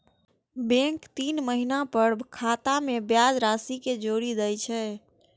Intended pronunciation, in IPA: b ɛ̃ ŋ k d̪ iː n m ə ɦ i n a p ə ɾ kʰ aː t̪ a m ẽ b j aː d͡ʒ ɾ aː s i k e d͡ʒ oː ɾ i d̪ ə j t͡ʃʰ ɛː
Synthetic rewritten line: b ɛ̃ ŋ k t̪ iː n m ə ɦ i n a p ə ɾ kʰ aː t̪ a m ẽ b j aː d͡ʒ ɾ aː s i k e d͡ʒ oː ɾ i d̪ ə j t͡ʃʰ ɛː